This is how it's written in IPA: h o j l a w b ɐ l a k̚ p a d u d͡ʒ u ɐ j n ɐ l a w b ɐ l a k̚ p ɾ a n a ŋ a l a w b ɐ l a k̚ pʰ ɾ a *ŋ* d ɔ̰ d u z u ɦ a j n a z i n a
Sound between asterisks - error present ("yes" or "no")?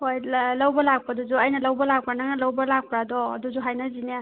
yes